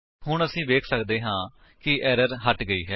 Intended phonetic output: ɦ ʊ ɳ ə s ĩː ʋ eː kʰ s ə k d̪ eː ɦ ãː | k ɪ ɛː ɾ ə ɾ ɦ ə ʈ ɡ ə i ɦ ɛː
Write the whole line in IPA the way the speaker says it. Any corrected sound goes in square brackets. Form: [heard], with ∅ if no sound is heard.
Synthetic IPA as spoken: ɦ ʊ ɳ ə s ĩː ʋ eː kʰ s ə k d̪ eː ɦ ãː | k ɪ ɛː ɾ ə ɾ ɦ ə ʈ ɡ ə [iː] ɦ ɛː